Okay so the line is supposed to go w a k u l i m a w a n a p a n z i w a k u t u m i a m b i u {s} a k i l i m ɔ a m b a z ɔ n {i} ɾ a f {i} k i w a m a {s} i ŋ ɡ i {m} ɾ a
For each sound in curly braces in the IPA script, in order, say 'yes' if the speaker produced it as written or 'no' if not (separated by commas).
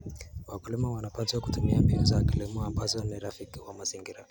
no, yes, yes, no, no